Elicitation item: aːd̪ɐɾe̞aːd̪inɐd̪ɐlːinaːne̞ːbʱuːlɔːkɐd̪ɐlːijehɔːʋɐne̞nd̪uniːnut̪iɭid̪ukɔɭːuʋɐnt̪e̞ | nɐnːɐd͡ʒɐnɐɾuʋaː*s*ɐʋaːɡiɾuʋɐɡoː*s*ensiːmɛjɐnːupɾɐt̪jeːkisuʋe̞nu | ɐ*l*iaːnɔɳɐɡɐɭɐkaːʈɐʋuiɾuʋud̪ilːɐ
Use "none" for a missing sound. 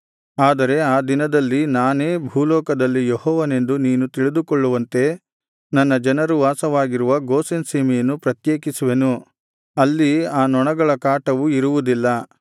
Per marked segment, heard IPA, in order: s, s, lː

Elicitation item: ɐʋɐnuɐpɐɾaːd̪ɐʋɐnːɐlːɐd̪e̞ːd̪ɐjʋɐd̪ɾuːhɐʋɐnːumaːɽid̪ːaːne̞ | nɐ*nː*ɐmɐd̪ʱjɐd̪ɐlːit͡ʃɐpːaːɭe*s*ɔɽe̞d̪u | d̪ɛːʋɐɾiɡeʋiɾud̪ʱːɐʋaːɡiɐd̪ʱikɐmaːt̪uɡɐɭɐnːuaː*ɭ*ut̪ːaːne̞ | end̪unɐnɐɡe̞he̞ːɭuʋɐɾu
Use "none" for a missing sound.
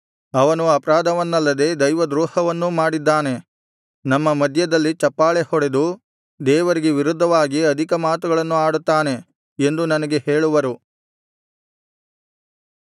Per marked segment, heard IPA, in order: mː, h, ɽ

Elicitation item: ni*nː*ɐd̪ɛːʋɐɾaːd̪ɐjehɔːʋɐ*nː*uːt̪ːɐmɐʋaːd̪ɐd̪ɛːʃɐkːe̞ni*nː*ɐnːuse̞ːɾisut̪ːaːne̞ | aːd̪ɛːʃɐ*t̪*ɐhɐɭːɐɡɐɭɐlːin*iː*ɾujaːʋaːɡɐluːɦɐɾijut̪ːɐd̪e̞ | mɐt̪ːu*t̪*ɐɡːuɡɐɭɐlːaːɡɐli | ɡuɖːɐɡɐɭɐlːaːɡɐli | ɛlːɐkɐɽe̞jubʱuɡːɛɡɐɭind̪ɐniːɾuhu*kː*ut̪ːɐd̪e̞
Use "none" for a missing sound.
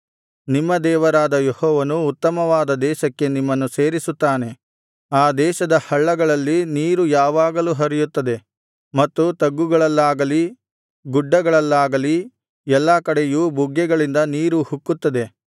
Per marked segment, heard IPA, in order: mː, n, mː, d̪, iː, t̪, kː

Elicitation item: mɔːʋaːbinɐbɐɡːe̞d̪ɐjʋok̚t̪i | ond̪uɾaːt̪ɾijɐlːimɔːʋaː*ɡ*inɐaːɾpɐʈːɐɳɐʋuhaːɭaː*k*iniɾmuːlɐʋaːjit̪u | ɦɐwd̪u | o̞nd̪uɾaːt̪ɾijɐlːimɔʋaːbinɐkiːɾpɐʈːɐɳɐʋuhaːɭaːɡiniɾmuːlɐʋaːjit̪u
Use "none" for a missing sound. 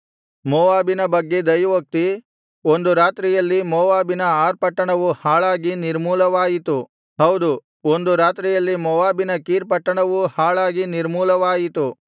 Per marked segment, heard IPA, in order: b, ɡ

